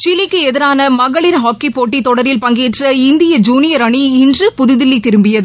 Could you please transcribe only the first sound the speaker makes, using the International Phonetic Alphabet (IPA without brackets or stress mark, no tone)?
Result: t͡ʃ